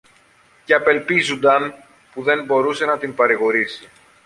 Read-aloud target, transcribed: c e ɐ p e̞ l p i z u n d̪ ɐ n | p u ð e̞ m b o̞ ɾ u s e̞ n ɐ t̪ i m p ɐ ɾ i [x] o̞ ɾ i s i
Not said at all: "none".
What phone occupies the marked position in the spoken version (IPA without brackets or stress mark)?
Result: ɣ